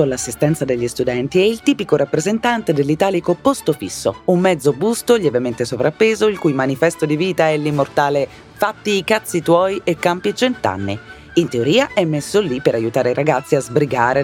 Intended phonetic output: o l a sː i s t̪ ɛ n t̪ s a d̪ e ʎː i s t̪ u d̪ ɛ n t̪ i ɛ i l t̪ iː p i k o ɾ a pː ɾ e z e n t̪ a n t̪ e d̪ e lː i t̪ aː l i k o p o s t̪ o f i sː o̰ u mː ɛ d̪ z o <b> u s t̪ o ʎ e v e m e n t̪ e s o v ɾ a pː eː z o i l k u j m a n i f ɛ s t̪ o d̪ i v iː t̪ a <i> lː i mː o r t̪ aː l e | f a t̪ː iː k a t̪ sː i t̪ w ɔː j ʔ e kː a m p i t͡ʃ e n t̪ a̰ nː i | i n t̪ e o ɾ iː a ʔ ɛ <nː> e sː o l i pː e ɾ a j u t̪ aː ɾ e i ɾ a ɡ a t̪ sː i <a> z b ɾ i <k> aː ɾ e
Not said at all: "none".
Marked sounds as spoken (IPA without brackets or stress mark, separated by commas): b, ɛ, mː, a, ɡ